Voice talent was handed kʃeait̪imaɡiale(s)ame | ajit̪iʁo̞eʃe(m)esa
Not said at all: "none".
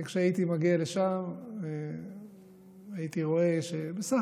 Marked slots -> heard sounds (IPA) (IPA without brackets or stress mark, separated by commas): ʃ, b